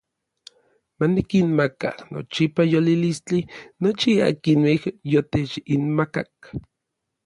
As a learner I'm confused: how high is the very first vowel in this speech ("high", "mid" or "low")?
low